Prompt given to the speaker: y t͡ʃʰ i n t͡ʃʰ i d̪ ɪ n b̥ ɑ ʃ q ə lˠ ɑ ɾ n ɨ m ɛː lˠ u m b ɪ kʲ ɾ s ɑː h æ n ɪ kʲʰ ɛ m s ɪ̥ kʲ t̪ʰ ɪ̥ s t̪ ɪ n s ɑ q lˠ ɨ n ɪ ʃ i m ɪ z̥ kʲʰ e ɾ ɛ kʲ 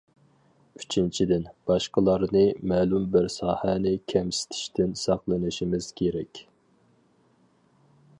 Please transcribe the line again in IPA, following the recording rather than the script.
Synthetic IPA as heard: y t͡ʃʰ i n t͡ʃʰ i d̪ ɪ n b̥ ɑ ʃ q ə lˠ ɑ ɾ n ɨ m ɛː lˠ u m b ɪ ɾ s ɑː h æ n ɪ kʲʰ ɛ m s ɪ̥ t̪ʰ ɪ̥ ʃ t̪ ɪ n s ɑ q lˠ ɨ n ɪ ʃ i m ɪ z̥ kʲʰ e ɾ ɛ kʲ

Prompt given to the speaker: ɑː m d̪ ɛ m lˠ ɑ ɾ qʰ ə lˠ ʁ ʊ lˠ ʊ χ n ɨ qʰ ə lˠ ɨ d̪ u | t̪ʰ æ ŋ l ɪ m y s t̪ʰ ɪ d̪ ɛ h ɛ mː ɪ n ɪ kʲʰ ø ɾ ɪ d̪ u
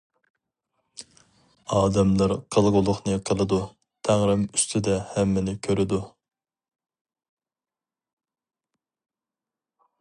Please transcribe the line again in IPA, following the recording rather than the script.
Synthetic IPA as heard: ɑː d̪ ɛ m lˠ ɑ ɾ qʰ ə lˠ ʁ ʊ lˠ ʊ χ n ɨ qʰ ə lˠ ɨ d̪ u | t̪ʰ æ ŋ ɾ ɪ m y s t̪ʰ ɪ d̪ ɛ h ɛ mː ɪ n ɪ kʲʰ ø ɾ ɪ d̪ u

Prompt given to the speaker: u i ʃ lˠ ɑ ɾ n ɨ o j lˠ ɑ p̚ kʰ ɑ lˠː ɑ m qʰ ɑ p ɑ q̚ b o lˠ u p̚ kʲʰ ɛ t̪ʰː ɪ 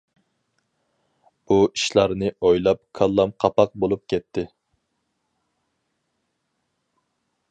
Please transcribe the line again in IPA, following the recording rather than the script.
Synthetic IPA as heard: u i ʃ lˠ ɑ ɾ n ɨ o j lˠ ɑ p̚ kʰ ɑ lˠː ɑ m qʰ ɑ p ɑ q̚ b o lˠ u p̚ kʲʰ ɛ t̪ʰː ɪ

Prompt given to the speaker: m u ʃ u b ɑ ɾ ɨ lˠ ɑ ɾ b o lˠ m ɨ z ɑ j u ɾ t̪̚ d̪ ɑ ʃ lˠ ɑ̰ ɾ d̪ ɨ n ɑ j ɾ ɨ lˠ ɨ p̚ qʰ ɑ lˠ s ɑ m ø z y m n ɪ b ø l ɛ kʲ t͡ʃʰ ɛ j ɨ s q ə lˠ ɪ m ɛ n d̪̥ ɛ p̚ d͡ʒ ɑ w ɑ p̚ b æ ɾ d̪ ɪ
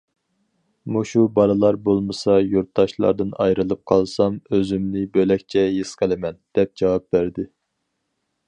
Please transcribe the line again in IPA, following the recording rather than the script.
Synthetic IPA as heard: m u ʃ u b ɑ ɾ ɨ lˠ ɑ ɾ b o lˠ m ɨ s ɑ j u ɾ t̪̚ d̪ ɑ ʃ lˠ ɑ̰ ɾ d̪ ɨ n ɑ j ɾ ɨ lˠ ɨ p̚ qʰ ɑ lˠ s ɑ m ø z y m n ɪ b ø l ɛ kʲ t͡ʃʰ ɛ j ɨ s q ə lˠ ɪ m ɛ n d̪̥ ɛ p̚ d͡ʒ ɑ w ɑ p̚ b æ ɾ d̪ ɪ

